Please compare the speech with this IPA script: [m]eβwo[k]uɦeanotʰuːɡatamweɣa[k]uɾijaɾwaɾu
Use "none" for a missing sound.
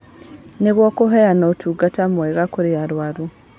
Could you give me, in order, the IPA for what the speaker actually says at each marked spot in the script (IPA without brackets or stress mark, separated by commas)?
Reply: n, k, k